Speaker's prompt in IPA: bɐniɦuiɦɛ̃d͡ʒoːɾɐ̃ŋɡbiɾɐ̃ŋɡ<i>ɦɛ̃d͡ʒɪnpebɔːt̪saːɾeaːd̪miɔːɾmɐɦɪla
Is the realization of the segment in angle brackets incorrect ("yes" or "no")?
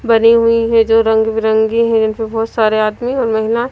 no